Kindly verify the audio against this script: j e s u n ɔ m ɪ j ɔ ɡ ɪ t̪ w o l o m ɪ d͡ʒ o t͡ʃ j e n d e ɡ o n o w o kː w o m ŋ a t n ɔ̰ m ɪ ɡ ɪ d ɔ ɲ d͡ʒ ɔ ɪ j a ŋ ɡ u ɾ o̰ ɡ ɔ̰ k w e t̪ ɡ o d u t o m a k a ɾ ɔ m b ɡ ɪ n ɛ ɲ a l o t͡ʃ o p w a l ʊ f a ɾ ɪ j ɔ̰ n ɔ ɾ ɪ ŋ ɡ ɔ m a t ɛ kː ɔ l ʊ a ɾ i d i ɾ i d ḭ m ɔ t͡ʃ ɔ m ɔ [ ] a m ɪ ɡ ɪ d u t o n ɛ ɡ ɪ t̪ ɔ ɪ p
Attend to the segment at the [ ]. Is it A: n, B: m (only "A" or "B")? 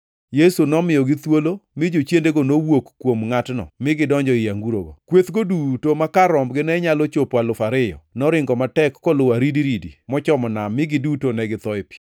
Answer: A